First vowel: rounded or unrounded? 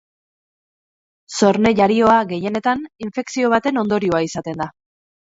rounded